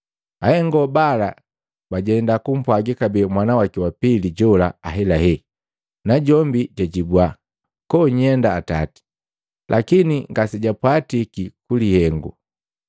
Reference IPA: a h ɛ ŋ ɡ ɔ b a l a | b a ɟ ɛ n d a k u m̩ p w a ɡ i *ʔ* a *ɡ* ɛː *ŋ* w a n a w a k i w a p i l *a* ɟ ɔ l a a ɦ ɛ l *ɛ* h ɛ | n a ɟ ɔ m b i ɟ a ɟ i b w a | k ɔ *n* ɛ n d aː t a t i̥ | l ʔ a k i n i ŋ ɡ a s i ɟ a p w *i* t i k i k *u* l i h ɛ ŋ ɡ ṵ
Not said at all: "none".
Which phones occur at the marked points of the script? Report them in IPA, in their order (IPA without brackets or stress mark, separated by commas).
k, b, m, i, a, ɲ, a, u